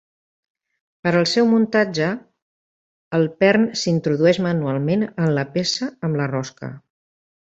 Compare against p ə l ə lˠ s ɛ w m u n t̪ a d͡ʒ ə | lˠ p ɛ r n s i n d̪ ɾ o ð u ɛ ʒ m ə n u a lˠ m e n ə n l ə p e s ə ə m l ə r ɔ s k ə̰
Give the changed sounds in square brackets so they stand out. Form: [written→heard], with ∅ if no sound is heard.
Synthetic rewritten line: p ə [l→ɾ] ə lˠ s ɛ w m u n t̪ a d͡ʒ ə | lˠ p ɛ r n s i n [d̪→t̪] ɾ [o→u] ð u ɛ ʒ m ə n u a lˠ m e n ə n l ə p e s ə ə m l ə r ɔ s k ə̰